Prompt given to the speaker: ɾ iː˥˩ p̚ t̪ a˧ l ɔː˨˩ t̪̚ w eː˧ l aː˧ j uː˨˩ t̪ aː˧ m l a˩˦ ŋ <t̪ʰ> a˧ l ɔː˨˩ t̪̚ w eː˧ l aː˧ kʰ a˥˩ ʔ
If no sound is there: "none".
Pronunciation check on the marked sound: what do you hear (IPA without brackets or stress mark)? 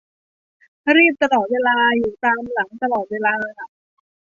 t̪